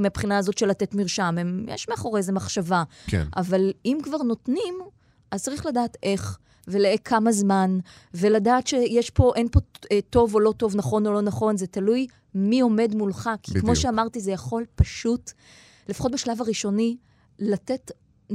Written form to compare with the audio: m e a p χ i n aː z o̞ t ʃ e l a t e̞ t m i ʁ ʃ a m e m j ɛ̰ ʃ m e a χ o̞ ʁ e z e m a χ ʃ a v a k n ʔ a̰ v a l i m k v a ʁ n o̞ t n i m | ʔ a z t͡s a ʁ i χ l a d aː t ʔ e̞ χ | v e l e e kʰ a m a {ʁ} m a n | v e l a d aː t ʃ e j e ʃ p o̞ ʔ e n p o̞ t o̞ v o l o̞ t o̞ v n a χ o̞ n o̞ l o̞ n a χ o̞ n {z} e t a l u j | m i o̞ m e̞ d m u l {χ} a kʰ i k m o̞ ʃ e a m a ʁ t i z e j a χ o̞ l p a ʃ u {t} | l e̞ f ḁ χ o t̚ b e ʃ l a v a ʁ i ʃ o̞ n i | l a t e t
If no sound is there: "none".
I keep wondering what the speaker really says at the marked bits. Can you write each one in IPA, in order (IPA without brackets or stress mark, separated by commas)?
z, z, χ, t